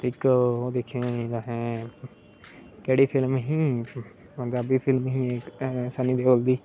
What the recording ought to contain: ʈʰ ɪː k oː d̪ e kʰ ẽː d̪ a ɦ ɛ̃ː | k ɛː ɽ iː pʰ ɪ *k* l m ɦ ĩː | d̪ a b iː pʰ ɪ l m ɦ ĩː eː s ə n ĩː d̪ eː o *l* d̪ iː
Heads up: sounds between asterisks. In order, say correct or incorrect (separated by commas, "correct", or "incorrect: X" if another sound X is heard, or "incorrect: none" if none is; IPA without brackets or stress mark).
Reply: incorrect: none, correct